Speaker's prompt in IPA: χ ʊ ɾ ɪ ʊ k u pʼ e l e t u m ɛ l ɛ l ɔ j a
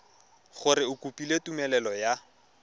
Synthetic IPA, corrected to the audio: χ ʊ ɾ ɪ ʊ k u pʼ i l e t u m ɛ l ɛ l ɔ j a

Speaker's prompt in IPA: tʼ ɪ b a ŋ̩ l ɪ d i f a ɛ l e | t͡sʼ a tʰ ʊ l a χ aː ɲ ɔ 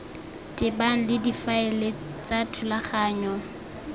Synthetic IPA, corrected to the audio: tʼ ɪ b a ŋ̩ l ɪ d i f a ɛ l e | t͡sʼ a tʰ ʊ l a χ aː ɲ ɔ

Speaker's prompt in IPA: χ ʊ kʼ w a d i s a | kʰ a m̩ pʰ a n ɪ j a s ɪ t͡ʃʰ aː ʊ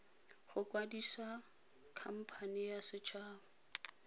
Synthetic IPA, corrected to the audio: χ ʊ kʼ w a d i s a | kʰ a m̩ pʰ a n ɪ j a s ɪ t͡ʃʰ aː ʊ

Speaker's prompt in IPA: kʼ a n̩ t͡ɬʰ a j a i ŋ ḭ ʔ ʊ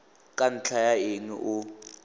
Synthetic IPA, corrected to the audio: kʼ a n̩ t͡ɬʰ a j a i ŋ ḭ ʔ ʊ

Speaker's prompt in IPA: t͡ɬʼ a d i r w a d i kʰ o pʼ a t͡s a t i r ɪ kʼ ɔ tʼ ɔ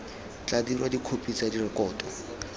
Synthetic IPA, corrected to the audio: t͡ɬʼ a d i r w a d i kʰ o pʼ i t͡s a d i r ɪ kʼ ɔː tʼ ɔ

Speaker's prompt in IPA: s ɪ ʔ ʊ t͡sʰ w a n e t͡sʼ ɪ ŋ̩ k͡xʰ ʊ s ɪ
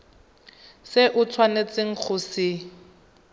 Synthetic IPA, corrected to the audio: s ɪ ʔ ʊ t͡sʰ w a n e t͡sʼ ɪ ŋ̩ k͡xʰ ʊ s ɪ

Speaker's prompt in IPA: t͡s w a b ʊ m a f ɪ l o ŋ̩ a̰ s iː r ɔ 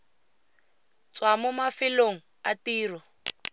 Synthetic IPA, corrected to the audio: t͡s w a m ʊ m a f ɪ l o ŋ̩ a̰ t iː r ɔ

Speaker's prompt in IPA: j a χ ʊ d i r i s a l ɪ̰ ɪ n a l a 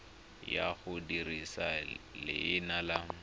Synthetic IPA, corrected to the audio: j a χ ʊ d i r i s a l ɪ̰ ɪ n a l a

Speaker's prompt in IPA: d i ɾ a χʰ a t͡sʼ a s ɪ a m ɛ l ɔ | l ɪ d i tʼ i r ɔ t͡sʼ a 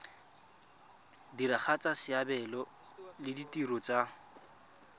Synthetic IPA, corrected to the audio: d i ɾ a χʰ a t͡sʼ a s ɪ a b ɛ l ɔ | l ɪ d i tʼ i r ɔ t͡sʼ a

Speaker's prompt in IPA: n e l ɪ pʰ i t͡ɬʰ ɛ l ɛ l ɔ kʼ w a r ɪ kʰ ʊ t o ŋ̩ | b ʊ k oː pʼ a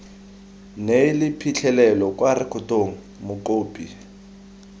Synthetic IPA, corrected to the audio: n e l ɪ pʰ i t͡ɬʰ ɛ l ɛ l ɔ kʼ w a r ɪ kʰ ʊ t o ŋ̩ | m ʊ k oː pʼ i

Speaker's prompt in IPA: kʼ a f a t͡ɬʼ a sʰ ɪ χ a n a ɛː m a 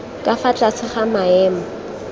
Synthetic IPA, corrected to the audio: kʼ a f a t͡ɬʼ a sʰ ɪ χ a m a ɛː m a

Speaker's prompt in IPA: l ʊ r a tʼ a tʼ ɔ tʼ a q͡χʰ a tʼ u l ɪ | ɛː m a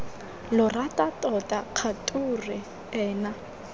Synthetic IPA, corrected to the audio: l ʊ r a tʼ a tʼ ɔ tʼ a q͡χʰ a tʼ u r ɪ | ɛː n a

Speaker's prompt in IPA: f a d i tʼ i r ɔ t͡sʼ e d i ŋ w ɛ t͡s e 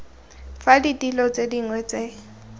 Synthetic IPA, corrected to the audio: f a d i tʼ i l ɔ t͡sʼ e d i ŋ w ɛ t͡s e

